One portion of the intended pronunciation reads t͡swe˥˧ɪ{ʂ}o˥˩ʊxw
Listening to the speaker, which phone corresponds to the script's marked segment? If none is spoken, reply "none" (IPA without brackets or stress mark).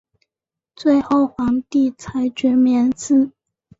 x